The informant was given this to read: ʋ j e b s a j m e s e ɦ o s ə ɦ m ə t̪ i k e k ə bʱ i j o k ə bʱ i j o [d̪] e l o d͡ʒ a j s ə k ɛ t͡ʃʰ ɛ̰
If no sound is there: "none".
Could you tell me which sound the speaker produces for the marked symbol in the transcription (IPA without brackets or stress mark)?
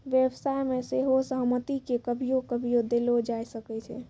d̪